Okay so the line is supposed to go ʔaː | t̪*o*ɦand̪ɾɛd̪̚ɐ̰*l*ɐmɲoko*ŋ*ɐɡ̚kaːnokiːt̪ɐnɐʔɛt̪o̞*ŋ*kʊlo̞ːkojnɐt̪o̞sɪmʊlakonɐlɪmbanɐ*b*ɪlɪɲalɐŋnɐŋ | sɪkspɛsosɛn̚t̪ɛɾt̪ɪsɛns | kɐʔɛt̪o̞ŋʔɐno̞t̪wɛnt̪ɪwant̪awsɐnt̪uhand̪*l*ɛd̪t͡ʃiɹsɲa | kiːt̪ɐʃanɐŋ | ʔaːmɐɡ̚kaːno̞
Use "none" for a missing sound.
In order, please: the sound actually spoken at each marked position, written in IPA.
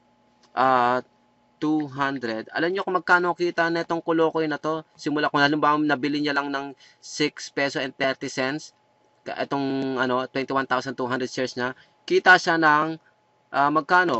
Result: u, l, m, ŋ, b, ɾ

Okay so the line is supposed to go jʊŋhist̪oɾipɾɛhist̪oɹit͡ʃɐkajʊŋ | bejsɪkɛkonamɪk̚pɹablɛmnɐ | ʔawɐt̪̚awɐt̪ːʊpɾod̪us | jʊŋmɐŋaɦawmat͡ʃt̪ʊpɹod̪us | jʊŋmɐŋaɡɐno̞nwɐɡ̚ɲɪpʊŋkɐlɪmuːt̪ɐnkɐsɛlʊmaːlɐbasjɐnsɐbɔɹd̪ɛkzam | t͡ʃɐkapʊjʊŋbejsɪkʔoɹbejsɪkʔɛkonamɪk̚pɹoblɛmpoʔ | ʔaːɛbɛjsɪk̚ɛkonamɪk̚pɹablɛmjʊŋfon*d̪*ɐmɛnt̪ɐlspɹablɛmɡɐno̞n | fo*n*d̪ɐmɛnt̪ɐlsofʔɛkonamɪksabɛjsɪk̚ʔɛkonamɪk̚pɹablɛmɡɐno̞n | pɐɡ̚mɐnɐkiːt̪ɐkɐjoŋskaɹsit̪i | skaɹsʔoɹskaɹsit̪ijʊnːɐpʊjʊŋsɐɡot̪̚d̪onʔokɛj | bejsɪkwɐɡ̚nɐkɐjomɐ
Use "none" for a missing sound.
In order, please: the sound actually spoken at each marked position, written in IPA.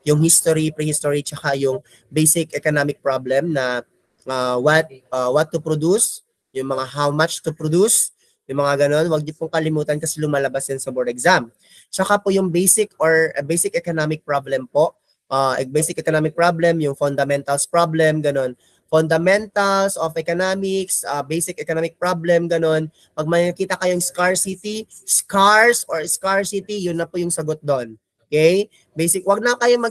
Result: d̪, n

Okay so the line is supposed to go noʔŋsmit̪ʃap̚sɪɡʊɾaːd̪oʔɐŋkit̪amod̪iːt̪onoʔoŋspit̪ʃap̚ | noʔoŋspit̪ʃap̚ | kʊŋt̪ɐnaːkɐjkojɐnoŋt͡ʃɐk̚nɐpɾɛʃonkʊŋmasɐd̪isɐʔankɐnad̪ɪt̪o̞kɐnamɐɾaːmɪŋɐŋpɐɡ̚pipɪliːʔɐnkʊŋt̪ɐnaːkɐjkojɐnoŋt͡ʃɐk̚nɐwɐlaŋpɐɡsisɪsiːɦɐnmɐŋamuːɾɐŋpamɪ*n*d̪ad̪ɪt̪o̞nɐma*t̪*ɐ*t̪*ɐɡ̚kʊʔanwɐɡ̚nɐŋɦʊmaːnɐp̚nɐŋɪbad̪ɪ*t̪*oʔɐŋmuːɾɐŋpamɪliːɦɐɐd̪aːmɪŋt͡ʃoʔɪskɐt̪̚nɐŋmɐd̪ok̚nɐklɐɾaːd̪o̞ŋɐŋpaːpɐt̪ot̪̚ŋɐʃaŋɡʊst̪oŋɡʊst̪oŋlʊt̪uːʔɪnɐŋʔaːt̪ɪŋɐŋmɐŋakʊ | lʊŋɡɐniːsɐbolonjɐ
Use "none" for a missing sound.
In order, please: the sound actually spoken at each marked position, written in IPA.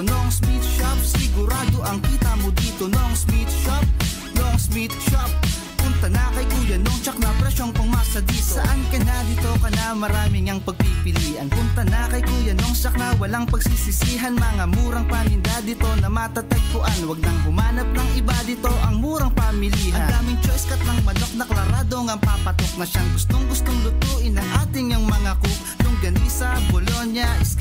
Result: n, t̪, t̪, t̪

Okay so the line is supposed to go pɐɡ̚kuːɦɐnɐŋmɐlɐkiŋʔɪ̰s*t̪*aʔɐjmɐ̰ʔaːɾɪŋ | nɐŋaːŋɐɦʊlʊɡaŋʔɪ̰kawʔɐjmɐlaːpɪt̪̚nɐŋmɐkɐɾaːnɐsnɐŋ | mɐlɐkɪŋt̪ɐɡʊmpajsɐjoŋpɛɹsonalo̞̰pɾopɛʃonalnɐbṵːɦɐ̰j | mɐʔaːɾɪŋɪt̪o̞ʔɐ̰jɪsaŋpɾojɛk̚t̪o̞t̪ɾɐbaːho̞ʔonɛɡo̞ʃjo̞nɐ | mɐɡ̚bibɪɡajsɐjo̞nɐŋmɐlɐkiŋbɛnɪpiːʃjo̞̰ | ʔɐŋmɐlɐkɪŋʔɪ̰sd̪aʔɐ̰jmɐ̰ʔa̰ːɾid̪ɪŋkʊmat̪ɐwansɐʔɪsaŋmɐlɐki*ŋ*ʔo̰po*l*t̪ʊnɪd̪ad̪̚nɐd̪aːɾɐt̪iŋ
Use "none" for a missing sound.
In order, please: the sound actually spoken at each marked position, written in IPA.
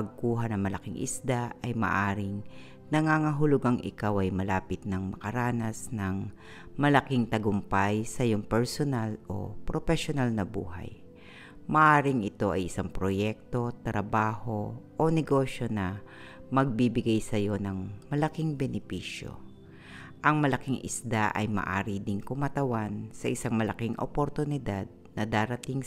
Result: d̪, ŋ, ɾ

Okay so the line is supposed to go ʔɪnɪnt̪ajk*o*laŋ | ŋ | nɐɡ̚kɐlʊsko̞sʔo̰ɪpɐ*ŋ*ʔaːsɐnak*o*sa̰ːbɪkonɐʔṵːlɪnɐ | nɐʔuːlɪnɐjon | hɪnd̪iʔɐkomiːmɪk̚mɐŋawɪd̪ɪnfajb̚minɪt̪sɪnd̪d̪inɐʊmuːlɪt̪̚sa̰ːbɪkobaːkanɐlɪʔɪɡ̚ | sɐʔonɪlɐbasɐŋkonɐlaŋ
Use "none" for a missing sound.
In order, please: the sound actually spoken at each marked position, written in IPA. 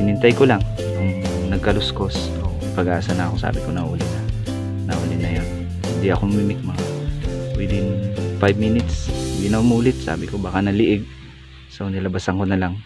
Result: o, ɡ, o

